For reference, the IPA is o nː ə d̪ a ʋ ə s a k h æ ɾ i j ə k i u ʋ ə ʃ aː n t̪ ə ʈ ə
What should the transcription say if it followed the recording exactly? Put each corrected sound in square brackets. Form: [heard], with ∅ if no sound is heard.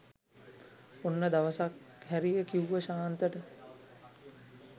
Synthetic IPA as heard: o nː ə d̪ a ʋ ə s a k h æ ɾ i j ə k i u ʋ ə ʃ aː n t̪ ə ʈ ə